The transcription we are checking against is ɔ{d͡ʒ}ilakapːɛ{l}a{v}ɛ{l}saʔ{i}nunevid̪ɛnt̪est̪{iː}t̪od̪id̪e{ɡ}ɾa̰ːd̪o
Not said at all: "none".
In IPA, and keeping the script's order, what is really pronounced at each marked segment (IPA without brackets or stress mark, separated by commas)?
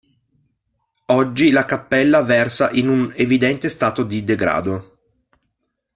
d͡ʒː, lː, v, r, i, aː, ɡ